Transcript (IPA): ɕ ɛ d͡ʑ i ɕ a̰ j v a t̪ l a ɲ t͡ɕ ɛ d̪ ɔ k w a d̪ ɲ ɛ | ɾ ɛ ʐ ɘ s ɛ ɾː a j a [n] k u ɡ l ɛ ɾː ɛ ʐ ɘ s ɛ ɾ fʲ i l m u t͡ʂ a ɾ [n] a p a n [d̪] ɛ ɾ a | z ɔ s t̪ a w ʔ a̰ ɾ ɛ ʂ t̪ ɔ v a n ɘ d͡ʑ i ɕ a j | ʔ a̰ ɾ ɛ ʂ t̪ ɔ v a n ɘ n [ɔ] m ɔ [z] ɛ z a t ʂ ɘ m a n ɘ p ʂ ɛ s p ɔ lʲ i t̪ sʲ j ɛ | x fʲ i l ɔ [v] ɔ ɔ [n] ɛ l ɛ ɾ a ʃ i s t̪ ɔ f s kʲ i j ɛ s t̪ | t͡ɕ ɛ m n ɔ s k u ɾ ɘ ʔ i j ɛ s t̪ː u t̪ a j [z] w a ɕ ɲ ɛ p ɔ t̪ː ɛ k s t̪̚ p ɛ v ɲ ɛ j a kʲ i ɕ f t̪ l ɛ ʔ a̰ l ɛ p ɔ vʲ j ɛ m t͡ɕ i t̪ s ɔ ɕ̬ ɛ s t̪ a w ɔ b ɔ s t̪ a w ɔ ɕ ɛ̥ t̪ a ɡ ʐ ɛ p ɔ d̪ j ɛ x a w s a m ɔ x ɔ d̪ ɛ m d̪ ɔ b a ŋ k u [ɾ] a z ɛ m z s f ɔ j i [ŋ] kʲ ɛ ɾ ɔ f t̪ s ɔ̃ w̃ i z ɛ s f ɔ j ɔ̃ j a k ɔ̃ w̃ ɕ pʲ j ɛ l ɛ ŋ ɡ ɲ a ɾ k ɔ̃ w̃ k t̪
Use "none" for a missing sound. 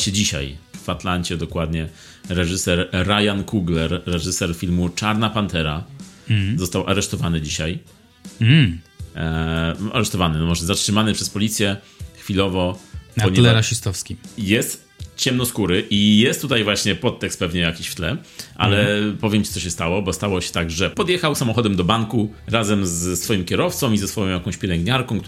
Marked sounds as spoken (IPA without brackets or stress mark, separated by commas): n, n, t̪, ɔ, ʐ, v, ɲ, v, ɾ, m